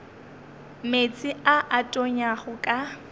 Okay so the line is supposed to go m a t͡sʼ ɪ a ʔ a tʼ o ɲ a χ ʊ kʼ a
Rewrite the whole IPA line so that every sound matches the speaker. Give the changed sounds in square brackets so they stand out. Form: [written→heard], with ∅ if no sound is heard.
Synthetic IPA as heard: m [a→e] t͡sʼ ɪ a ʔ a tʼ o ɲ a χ ʊ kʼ a